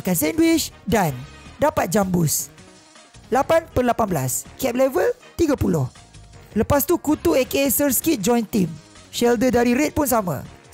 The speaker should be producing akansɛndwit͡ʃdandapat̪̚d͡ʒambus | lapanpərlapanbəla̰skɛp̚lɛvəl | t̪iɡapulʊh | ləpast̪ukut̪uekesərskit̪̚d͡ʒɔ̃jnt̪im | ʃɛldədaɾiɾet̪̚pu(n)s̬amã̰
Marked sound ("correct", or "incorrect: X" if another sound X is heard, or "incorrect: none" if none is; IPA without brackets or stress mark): correct